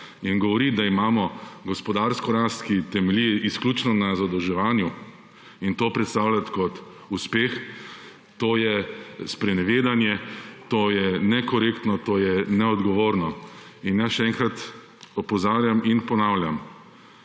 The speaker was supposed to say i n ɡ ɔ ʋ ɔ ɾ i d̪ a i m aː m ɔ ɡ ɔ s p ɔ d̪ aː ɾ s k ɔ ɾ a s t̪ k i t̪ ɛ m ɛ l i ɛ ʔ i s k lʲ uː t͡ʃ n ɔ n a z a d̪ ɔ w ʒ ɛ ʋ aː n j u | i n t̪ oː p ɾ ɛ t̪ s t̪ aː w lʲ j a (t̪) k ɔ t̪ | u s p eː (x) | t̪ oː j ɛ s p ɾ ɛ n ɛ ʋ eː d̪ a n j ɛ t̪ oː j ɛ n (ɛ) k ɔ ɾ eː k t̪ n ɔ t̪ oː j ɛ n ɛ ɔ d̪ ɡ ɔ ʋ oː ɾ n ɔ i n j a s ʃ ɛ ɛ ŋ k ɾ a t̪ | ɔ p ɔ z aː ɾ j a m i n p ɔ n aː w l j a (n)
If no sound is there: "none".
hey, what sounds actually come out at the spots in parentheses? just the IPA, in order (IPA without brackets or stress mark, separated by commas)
t̪, x, ɛ, m